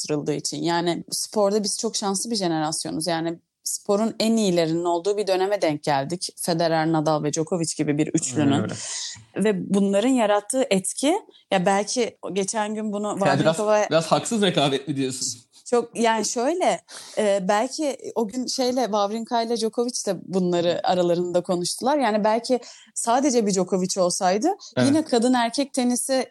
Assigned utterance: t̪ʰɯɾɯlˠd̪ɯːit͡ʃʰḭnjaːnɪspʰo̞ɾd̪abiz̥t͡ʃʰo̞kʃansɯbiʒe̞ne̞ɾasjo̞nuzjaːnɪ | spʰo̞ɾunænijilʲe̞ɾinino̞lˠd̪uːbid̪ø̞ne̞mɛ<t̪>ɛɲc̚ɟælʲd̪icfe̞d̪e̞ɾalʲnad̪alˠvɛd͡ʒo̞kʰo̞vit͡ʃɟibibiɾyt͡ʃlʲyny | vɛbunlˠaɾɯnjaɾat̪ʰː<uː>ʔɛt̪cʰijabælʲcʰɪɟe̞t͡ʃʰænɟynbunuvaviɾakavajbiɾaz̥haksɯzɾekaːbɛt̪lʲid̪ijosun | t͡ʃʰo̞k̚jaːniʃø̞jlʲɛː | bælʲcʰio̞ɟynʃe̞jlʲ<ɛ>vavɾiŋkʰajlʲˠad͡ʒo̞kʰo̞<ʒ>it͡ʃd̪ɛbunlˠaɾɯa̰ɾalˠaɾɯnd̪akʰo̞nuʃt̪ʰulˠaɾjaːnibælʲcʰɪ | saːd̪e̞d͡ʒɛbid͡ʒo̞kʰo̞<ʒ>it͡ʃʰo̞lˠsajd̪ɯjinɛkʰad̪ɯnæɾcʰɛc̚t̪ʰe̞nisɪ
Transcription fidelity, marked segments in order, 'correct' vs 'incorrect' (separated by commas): incorrect, incorrect, correct, incorrect, incorrect